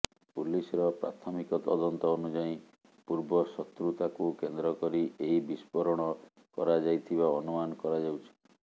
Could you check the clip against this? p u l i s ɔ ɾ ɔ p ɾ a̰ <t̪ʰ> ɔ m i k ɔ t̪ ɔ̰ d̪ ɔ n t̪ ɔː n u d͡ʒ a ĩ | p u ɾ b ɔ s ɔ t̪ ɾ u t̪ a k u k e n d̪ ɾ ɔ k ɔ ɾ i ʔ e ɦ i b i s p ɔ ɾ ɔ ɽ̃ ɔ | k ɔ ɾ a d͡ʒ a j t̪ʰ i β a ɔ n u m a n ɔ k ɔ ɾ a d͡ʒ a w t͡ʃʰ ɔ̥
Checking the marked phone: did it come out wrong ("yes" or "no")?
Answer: no